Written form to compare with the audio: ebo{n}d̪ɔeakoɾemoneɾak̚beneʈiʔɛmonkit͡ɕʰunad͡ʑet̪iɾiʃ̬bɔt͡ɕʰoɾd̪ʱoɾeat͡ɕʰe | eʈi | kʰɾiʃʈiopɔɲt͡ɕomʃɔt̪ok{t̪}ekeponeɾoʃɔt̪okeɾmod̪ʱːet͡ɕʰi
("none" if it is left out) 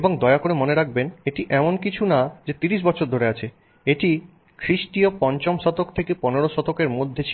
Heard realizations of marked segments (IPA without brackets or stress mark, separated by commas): ŋ, t̪ʰ